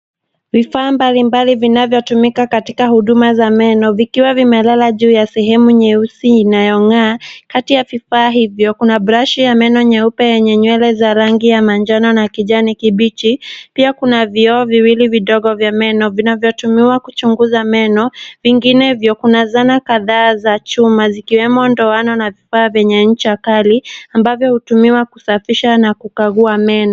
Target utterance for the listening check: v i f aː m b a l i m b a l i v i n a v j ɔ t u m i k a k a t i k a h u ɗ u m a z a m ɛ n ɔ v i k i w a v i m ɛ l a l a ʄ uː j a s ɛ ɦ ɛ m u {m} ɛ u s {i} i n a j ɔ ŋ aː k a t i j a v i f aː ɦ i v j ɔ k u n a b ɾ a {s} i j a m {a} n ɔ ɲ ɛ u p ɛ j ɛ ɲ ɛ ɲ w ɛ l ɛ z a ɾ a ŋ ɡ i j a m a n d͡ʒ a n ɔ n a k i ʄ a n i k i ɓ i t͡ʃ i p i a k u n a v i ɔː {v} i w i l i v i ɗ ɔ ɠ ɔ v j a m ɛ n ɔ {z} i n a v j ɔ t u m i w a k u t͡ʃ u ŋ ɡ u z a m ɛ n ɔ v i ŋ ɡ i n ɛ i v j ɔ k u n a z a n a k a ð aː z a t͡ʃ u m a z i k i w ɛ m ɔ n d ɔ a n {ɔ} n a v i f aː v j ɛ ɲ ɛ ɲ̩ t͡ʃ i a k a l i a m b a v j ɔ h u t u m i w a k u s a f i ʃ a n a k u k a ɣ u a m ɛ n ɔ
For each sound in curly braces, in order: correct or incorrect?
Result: incorrect: ɲ, correct, incorrect: ʃ, incorrect: ɛ, correct, incorrect: v, correct

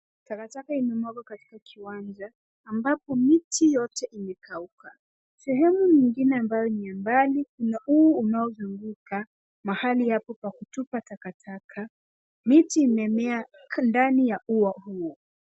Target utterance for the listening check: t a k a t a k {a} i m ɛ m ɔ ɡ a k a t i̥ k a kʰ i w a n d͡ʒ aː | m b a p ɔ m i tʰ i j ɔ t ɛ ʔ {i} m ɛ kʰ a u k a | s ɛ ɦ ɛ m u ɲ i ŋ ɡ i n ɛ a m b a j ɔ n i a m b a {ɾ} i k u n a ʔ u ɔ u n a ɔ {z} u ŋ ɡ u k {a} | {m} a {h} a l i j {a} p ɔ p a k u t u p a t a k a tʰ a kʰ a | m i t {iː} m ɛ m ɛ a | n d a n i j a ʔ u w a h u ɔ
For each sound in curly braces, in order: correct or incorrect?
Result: correct, correct, incorrect: l, correct, correct, correct, correct, correct, correct

